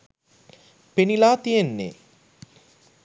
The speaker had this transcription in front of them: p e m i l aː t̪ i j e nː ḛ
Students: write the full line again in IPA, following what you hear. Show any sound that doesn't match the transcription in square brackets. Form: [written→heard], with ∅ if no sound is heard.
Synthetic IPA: p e [m→n] i l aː t̪ i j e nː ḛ